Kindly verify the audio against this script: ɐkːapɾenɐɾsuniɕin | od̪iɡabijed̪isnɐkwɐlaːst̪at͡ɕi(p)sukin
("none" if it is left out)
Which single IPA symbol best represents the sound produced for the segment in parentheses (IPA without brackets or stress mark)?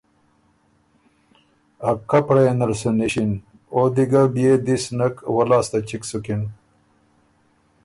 k